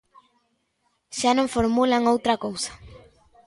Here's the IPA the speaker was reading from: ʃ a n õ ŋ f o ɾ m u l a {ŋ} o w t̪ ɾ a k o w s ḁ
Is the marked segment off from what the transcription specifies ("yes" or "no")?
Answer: no